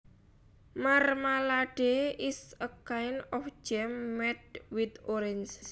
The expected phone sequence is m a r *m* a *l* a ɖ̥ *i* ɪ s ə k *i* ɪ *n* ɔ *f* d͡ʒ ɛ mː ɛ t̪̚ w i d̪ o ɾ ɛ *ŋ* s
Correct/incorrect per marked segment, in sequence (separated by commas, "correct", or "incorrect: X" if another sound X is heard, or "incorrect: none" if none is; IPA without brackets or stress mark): correct, correct, incorrect: e, incorrect: a, correct, correct, incorrect: n